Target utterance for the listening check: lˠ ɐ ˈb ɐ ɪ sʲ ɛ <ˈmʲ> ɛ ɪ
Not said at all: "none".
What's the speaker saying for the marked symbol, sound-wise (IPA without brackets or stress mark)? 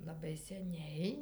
nʲ